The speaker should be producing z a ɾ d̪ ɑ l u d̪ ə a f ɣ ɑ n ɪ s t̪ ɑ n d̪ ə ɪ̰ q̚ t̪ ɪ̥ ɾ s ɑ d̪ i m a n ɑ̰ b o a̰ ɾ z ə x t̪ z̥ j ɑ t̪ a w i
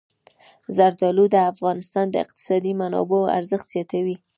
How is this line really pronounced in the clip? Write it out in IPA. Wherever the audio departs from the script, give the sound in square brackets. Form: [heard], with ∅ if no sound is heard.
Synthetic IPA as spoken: z a ɾ d̪ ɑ l u d̪ ə a f ɣ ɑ n ɪ s t̪ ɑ n d̪ ə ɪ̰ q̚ t̪ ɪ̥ [∅] s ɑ d̪ i m a n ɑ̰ b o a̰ ɾ z ə x t̪ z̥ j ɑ t̪ a w i